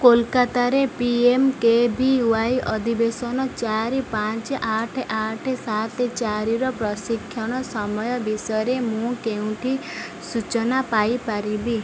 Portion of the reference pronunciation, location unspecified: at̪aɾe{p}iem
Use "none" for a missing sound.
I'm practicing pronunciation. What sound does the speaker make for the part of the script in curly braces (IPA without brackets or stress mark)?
p